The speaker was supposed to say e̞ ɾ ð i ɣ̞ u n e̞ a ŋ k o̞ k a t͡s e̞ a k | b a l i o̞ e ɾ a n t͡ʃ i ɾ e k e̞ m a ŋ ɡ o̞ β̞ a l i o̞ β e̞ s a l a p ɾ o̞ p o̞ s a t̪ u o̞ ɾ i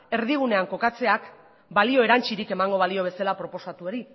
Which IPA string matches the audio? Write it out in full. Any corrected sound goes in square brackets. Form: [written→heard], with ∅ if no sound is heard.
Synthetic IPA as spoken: e̞ ɾ ð i ɣ̞ u n e̞ a ŋ k o̞ k a t͡s e̞ a k | b a l i o̞ e ɾ a n t͡ʃ i ɾ [e→i] k e̞ m a ŋ ɡ o̞ β̞ a l i o̞ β e̞ s a l a p ɾ o̞ p o̞ s a t̪ u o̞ ɾ i